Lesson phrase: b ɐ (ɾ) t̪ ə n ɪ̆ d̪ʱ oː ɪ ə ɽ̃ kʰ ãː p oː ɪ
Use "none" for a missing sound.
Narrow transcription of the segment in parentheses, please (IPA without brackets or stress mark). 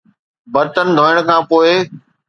ɾ